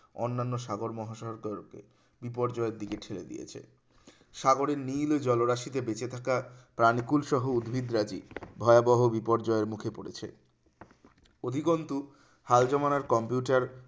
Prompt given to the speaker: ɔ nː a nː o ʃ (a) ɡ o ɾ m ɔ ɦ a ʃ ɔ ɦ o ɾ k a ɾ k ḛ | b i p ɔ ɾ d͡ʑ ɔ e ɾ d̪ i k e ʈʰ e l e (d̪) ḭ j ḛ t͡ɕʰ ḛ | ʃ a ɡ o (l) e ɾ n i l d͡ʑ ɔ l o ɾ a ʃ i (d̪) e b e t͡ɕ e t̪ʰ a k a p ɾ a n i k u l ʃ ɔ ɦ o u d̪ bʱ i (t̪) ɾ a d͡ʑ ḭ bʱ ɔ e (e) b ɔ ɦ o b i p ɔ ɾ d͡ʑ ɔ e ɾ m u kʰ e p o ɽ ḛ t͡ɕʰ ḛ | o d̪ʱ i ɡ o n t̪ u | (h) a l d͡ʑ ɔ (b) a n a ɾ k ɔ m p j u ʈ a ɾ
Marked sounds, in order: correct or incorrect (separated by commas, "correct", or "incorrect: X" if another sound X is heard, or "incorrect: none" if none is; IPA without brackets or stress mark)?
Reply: correct, correct, incorrect: ɾ, incorrect: t̪, incorrect: d̪, incorrect: a, correct, incorrect: m